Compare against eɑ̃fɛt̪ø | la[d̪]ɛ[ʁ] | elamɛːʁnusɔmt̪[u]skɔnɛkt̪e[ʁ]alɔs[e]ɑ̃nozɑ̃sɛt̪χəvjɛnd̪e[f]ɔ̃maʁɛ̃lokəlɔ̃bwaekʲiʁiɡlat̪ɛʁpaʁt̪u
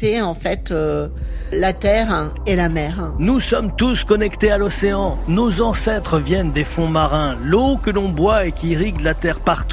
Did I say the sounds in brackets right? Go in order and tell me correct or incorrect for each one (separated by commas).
incorrect, correct, correct, incorrect, correct, correct